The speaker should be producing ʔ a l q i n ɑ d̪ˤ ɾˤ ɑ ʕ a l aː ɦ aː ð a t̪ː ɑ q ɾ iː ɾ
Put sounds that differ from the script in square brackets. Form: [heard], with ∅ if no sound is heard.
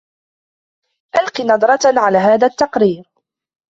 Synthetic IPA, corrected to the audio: ʔ a l q i n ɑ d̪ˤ ɾˤ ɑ ʕ a l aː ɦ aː ð a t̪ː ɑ q ɾ iː ɾ